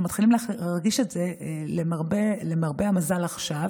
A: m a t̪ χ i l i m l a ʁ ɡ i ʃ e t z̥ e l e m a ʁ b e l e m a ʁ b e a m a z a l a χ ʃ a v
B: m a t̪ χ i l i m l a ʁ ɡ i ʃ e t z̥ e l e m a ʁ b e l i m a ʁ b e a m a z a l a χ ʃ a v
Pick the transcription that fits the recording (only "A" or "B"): A